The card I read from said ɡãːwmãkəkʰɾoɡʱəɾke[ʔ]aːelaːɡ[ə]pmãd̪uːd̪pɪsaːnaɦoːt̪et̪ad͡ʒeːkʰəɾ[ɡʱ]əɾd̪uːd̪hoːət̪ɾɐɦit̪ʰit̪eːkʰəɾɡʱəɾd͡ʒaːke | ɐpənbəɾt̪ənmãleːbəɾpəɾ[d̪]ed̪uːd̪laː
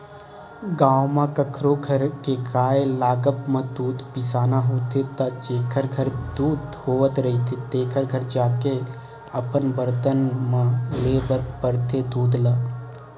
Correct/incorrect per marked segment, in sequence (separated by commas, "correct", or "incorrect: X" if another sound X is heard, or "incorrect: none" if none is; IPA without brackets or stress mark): incorrect: k, correct, correct, incorrect: t̪